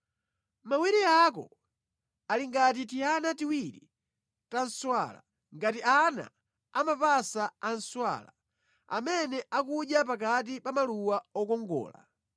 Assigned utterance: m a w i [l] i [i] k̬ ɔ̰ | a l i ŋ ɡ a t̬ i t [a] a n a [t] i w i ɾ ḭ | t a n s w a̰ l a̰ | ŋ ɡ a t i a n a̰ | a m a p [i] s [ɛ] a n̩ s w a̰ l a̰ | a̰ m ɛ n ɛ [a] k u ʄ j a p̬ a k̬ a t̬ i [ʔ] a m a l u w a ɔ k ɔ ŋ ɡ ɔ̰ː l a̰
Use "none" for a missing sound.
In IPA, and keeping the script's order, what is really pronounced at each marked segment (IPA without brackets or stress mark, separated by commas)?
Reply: ɾ, a, i, t, a, a, a, p